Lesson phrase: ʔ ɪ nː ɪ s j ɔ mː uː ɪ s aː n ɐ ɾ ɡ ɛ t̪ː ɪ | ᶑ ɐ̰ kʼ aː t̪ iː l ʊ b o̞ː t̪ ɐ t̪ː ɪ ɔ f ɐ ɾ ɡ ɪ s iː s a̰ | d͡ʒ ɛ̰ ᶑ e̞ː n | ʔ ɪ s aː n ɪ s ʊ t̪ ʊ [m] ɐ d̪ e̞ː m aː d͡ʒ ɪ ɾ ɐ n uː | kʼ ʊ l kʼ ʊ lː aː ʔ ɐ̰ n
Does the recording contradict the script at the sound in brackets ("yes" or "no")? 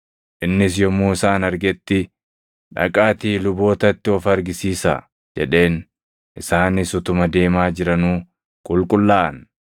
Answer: no